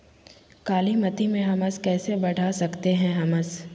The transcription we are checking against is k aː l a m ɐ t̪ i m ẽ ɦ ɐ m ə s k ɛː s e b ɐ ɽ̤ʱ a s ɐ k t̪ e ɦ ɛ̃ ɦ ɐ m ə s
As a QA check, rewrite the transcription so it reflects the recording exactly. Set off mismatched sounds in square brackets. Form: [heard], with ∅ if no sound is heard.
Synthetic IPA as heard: k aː l [i] m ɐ t̪ i m ẽ ɦ ɐ m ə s k ɛː s e b ɐ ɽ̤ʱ a s ɐ k t̪ e ɦ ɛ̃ ɦ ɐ m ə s